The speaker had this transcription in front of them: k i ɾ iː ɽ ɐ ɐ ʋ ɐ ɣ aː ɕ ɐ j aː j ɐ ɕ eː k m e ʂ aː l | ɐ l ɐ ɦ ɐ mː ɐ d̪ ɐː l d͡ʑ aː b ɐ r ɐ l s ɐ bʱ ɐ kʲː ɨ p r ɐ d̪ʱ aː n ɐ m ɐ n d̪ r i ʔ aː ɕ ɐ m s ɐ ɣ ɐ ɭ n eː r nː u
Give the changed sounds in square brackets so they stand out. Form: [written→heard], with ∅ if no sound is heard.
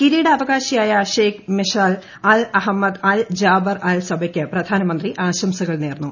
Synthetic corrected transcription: k i ɾ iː ɽ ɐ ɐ ʋ ɐ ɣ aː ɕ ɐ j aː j ɐ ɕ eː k m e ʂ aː l | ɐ l ɐ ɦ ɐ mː ɐ d̪ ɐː l d͡ʑ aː b ɐ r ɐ l s ɐ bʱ ɐ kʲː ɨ p r ɐ d̪ʱ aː n ɐ m ɐ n d̪ r i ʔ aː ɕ ɐ m s ɐ ɣ ɐ ɭ n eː r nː u